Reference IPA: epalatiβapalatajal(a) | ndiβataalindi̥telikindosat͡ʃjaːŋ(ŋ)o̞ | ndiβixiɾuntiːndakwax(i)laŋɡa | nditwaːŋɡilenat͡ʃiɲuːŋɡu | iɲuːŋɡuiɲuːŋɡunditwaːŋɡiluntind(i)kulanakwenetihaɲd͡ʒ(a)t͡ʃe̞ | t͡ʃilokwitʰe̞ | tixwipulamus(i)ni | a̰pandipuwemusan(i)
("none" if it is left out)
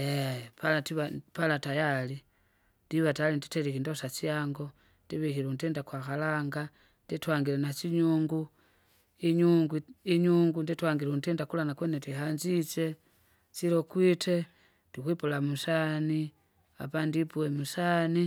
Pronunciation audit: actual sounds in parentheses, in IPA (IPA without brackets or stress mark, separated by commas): i, ɡ, a, a, i, a, i